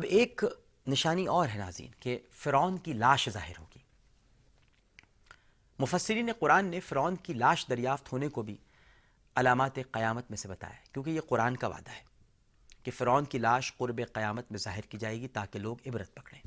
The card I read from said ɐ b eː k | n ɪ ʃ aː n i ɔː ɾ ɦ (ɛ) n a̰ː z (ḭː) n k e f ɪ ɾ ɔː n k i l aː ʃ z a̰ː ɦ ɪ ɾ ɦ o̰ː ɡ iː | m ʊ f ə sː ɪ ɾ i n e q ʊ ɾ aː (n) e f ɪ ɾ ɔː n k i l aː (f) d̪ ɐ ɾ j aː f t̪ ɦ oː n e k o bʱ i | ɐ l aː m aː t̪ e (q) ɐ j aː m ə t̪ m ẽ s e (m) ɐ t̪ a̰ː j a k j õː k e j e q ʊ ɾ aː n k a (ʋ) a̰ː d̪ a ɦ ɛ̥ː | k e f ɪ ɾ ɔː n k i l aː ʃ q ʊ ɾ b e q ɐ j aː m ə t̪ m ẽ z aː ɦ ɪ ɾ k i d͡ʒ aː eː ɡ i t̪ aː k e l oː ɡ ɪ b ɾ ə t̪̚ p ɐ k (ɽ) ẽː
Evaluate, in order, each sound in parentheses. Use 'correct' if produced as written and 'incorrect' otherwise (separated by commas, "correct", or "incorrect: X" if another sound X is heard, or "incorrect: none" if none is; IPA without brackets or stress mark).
correct, correct, incorrect: nː, incorrect: ʃ, correct, incorrect: b, correct, correct